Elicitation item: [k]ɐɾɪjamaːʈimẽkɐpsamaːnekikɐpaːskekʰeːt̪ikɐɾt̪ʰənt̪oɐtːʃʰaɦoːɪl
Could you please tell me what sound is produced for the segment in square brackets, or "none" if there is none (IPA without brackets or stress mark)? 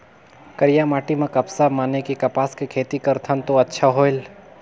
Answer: k